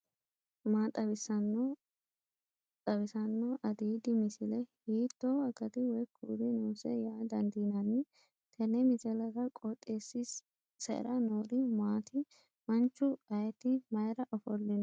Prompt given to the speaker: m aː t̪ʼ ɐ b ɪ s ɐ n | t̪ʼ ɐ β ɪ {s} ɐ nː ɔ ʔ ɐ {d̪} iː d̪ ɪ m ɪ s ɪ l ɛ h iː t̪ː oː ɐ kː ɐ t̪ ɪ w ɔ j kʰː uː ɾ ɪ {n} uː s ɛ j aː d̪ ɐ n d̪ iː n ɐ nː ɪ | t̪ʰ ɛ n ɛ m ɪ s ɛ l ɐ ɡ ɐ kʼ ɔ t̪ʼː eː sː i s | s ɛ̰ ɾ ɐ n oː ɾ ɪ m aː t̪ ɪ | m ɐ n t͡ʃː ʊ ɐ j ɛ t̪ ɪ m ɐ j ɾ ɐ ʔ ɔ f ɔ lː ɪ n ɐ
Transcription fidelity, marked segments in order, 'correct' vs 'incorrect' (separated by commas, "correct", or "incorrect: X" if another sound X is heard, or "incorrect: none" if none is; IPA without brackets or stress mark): correct, correct, correct